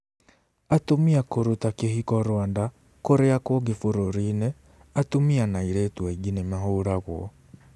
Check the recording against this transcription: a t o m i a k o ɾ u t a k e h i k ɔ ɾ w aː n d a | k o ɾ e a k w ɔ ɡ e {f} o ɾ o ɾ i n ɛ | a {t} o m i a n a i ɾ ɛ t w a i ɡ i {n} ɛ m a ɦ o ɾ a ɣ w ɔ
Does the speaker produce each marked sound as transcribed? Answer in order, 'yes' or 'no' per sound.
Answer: yes, yes, yes

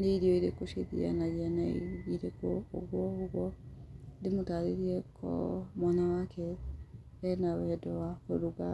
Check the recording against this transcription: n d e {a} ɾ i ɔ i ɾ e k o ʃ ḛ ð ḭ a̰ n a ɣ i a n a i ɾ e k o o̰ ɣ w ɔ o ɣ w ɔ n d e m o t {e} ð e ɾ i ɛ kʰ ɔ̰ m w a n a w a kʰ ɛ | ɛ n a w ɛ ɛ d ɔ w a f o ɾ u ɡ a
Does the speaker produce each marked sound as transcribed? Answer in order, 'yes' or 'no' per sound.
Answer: no, no

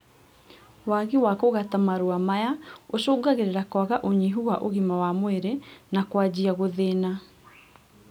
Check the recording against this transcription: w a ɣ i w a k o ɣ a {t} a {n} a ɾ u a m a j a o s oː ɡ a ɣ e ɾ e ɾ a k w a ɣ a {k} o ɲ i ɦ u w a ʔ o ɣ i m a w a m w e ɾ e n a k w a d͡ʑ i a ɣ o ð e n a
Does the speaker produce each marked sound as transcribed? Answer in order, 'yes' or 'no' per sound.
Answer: yes, no, no

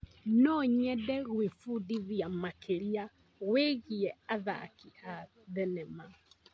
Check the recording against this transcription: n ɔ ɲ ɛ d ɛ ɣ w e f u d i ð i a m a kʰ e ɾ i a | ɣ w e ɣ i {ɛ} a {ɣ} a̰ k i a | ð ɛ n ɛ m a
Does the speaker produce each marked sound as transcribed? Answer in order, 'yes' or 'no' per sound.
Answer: yes, no

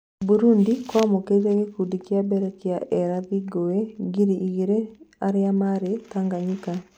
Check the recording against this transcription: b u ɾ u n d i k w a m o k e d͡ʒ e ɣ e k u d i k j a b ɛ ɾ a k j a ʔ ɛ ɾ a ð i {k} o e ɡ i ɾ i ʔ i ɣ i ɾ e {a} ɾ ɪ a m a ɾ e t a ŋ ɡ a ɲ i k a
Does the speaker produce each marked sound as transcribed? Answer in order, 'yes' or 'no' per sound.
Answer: no, yes

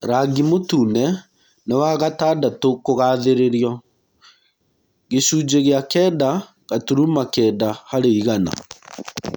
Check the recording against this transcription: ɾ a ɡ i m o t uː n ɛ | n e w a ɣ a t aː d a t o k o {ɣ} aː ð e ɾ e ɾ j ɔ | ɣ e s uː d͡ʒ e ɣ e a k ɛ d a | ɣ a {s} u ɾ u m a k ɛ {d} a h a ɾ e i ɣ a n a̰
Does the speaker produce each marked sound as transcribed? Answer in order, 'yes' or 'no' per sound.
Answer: yes, no, yes

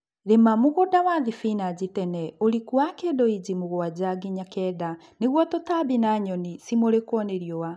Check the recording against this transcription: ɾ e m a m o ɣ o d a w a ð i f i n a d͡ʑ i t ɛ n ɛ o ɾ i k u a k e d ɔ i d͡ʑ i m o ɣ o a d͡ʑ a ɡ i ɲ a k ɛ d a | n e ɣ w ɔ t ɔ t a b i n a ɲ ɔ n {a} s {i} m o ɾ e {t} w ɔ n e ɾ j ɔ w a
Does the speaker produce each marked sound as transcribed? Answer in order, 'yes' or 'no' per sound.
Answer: no, yes, no

